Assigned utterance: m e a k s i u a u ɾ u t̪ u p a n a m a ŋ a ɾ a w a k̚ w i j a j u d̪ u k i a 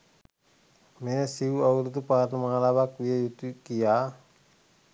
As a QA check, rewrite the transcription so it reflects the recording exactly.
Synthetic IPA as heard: m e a s i u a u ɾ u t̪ u p a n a m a ŋ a l a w a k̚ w i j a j u t̪ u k i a